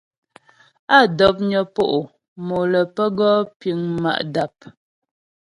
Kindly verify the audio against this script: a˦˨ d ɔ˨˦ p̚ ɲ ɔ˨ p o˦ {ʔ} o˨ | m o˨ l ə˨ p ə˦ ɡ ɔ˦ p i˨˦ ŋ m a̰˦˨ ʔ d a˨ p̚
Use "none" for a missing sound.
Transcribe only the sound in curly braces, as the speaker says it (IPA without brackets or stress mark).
ʔ